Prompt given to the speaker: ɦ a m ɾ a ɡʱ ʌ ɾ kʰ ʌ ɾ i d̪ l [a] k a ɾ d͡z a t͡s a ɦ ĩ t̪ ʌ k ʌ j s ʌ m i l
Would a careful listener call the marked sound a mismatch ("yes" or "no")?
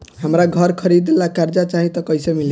no